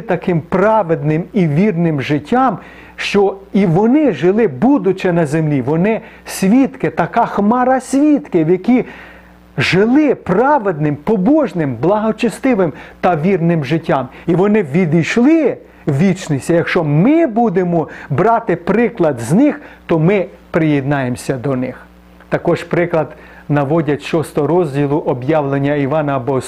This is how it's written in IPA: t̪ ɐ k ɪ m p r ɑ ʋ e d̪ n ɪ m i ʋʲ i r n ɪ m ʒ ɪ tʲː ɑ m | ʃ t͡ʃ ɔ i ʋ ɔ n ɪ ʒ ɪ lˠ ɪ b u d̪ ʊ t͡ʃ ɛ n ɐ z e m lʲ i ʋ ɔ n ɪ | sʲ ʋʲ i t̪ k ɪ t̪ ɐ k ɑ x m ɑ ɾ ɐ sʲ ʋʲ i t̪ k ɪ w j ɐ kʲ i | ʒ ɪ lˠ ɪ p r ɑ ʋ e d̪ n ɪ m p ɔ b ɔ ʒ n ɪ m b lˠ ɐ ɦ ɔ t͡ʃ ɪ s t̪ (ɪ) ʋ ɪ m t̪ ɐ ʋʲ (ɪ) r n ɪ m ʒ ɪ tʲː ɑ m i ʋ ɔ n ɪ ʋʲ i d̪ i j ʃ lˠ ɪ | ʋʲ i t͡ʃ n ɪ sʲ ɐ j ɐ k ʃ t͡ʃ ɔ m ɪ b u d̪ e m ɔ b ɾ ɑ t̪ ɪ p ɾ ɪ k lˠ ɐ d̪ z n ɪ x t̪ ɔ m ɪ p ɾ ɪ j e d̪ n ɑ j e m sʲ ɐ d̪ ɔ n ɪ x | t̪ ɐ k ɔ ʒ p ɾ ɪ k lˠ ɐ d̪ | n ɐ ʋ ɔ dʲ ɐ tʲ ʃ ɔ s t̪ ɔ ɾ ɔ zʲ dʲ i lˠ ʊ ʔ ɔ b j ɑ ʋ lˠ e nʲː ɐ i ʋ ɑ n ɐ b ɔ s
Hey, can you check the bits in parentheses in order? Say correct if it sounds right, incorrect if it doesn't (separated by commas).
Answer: correct, incorrect